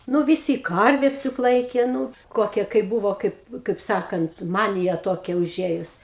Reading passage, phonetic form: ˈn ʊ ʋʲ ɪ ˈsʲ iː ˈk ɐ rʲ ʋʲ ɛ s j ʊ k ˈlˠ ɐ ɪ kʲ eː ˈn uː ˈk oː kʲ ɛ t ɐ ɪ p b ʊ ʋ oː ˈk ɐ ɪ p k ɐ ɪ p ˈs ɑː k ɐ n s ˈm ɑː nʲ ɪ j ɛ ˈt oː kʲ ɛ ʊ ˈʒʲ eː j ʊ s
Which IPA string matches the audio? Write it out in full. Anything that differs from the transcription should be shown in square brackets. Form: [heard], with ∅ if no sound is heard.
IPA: ˈn ʊ ʋʲ ɪ ˈsʲ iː ˈk ɐ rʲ ʋʲ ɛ s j ʊ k ˈlˠ ɐ ɪ kʲ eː ˈn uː ˈk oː kʲ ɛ [k] ɐ ɪ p b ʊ ʋ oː ˈk ɐ ɪ p k ɐ ɪ p ˈs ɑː k ɐ n [t] ˈm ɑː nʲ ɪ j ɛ ˈt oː kʲ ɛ ʊ ˈʒʲ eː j ʊ s

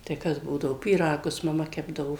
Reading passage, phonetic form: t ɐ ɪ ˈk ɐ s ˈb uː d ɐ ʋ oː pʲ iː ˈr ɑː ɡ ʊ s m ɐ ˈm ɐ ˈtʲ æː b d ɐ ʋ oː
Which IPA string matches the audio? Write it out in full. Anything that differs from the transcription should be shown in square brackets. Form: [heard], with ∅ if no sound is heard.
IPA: t ɐ ɪ ˈk ɐ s ˈb uː d ɐ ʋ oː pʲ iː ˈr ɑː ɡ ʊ s m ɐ ˈm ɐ [ˈkʲ] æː b d ɐ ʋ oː

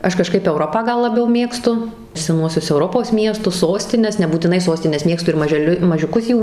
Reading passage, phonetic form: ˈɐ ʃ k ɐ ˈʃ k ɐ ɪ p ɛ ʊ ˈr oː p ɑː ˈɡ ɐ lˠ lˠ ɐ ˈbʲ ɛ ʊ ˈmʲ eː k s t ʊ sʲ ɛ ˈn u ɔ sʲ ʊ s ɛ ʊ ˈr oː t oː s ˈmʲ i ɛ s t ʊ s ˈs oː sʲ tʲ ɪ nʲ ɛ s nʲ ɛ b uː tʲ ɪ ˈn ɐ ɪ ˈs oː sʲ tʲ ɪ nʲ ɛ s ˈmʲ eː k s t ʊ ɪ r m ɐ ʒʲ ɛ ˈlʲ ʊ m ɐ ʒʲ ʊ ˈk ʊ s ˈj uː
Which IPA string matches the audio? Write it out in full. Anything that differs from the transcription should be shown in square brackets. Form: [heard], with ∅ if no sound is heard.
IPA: ˈɐ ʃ k ɐ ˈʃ k ɐ ɪ p ɛ ʊ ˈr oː p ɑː ˈɡ ɐ lˠ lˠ ɐ ˈbʲ ɛ ʊ ˈmʲ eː k s t ʊ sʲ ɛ ˈn u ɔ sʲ ʊ s ɛ ʊ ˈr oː [p] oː s ˈmʲ i ɛ s t ʊ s ˈs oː sʲ tʲ ɪ nʲ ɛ s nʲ ɛ b uː tʲ ɪ ˈn ɐ ɪ ˈs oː sʲ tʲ ɪ nʲ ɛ s ˈmʲ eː k s t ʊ ɪ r m ɐ ʒʲ ɛ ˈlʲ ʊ m ɐ ʒʲ ʊ ˈk ʊ s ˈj uː

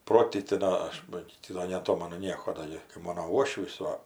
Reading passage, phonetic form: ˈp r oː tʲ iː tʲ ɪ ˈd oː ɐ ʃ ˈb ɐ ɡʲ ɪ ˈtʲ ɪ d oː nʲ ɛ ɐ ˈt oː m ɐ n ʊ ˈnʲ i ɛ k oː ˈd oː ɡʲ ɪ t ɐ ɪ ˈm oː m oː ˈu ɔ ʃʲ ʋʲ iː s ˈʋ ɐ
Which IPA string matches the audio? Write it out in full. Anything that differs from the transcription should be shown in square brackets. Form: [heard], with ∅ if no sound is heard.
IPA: ˈp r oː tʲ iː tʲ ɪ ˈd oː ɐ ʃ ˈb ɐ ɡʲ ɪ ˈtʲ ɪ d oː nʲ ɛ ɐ ˈt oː m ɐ n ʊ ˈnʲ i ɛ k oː ˈd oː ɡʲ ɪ [k] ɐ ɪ ˈm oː [n] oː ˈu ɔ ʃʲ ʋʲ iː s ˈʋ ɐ

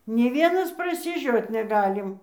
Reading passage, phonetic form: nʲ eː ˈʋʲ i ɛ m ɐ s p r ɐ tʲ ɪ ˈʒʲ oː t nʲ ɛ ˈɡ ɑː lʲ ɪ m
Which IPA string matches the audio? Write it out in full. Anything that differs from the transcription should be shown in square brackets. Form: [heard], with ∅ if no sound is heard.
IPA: nʲ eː ˈʋʲ i ɛ [n] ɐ s p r ɐ [sʲ] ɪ ˈʒʲ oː t nʲ ɛ ˈɡ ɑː lʲ ɪ m

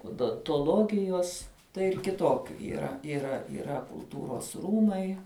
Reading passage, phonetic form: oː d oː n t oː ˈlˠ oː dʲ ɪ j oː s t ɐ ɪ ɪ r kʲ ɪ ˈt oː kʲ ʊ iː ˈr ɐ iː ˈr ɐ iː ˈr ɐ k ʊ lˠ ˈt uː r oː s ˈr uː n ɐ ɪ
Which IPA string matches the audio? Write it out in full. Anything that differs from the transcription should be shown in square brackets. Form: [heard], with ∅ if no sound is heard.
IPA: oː d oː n t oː ˈlˠ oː [ɡʲ] ɪ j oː s t ɐ ɪ ɪ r kʲ ɪ ˈt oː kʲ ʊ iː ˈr ɐ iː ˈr ɐ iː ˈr ɐ k ʊ lˠ ˈt uː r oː s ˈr uː [m] ɐ ɪ

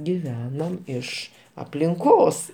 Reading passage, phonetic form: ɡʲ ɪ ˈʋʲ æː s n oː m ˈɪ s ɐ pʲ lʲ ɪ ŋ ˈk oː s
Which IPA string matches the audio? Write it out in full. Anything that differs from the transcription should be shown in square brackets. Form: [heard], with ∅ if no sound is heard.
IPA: ɡʲ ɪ ˈʋʲ æː [∅] n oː m ˈɪ [ʃ] ɐ pʲ lʲ ɪ ŋ ˈk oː s

